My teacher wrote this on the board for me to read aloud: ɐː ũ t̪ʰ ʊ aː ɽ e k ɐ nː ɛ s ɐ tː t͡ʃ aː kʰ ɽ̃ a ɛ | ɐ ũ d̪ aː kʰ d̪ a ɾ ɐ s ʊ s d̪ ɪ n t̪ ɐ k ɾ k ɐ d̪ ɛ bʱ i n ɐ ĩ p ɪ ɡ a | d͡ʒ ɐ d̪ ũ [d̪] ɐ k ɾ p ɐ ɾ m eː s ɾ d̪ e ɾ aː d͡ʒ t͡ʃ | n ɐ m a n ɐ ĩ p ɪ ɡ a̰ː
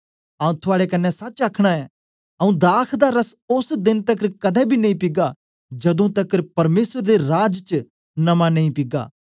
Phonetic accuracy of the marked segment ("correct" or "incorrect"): incorrect